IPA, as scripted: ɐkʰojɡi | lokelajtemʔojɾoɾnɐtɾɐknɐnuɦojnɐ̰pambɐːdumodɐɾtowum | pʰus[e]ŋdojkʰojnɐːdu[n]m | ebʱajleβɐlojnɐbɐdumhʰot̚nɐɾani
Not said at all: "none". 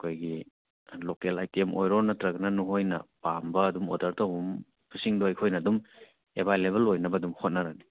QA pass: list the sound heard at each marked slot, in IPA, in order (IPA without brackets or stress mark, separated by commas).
i, none